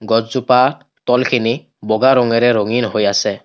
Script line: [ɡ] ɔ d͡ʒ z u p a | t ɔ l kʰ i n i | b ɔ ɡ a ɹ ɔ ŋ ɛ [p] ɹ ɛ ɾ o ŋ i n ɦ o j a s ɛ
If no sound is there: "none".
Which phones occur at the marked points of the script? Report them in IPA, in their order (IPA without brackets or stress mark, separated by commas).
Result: ɡ, none